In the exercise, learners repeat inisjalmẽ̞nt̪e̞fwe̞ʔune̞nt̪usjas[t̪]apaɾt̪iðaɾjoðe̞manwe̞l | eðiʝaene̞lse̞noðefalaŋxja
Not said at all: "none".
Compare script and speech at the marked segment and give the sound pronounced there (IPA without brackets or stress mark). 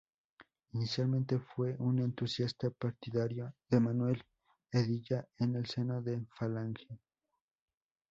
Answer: t̪